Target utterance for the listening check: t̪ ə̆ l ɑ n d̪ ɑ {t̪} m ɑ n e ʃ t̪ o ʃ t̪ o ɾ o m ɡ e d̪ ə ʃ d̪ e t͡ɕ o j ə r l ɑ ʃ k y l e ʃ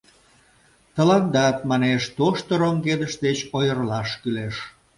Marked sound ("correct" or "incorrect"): correct